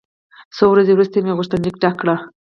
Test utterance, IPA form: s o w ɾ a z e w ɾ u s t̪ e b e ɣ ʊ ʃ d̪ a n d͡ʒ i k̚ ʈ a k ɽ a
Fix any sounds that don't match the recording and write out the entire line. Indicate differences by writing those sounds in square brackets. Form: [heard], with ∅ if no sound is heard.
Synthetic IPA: s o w ɾ a z e w ɾ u s t̪ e [m] e ɣ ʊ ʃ [t̪] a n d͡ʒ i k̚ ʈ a k ɽ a